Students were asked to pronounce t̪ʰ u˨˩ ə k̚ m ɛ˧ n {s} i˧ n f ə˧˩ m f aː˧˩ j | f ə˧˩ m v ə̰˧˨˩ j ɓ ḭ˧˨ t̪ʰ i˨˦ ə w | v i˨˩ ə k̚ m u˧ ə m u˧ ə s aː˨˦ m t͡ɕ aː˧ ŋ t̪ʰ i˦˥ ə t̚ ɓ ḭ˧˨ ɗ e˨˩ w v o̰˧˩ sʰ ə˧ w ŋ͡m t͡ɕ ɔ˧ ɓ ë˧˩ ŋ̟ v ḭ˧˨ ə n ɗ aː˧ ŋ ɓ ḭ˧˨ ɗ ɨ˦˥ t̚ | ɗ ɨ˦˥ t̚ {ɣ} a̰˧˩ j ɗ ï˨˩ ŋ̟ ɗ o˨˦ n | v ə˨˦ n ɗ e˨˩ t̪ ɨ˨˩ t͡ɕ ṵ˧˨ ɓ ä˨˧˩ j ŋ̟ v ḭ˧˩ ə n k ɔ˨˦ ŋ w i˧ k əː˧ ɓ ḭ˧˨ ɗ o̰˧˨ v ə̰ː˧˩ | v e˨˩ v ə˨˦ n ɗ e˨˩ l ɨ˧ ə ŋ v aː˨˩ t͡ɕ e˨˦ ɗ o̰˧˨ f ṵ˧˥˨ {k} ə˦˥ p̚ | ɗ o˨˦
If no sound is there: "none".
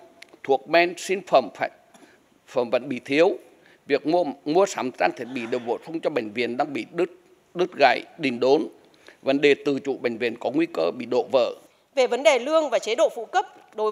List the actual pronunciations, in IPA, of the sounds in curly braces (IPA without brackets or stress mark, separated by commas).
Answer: s, ɣ, k